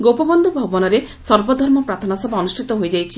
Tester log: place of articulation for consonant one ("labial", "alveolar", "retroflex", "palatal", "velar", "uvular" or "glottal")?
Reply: velar